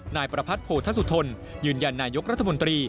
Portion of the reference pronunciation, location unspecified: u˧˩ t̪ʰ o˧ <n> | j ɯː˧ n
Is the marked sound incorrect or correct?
correct